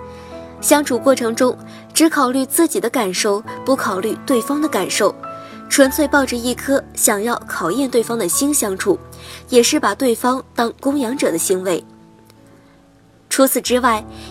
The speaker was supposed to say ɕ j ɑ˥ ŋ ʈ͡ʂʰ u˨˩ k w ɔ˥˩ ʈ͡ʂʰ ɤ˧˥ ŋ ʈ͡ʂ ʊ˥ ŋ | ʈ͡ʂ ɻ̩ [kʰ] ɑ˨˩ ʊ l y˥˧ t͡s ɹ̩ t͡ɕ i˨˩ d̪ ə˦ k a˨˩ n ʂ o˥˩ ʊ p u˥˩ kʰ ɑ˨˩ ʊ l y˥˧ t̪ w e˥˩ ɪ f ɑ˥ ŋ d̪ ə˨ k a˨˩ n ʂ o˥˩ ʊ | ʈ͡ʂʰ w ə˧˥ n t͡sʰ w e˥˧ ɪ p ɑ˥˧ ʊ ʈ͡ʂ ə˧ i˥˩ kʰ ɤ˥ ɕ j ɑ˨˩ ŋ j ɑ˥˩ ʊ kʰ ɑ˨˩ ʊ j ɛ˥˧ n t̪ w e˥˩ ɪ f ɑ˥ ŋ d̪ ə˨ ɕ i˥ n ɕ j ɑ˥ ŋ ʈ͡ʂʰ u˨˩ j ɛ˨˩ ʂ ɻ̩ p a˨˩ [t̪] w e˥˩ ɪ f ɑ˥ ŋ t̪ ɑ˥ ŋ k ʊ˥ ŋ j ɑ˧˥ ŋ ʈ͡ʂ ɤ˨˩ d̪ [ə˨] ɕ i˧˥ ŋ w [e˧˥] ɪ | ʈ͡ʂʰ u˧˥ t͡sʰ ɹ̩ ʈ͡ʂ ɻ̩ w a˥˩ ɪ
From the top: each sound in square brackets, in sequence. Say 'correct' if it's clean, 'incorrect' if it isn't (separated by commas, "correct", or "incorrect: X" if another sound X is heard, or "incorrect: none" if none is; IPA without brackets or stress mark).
correct, correct, incorrect: ə˦, correct